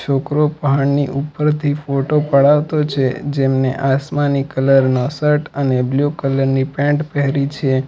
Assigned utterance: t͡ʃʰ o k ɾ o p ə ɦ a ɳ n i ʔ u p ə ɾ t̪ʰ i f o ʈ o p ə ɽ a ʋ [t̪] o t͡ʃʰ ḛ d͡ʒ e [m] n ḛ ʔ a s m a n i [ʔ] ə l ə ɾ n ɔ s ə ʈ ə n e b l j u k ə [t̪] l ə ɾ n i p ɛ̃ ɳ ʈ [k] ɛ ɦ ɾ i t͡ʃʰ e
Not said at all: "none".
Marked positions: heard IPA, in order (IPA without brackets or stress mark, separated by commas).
t̪, m, k, none, p